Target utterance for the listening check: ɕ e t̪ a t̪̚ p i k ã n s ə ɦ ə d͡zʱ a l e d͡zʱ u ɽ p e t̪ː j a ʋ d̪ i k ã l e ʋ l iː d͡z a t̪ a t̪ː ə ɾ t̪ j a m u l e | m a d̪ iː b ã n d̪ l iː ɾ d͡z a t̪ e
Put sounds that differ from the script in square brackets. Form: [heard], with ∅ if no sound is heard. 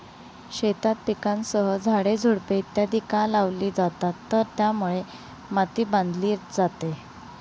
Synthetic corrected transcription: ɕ e t̪ a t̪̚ p i k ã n s ə ɦ ə d͡zʱ a [ɽ] e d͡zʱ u ɽ p e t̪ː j a [∅] d̪ i k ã l [a] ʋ l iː d͡z a t̪ a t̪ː ə ɾ t̪ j a m u [ɭ] e | m a [t̪] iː b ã n d̪ l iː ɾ d͡z a t̪ e